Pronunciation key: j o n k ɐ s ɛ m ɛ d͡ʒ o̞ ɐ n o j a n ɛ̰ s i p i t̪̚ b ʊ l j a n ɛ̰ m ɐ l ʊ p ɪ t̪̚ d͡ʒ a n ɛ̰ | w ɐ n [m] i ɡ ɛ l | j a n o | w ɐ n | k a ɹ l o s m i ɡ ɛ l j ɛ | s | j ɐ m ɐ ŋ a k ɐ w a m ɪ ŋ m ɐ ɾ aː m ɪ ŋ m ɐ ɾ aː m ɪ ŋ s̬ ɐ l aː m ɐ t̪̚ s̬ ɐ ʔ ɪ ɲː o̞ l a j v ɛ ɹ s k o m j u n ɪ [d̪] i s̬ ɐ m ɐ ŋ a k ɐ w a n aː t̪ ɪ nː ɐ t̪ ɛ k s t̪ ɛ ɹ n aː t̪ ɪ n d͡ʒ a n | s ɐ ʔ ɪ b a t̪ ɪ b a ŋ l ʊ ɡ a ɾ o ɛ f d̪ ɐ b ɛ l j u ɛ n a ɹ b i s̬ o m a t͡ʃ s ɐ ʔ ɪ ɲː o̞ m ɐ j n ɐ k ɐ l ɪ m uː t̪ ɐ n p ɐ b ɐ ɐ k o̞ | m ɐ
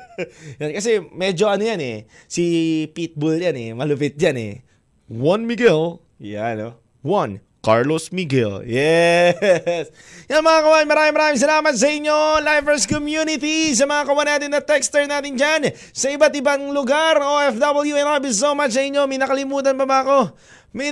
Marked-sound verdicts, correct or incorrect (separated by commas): correct, incorrect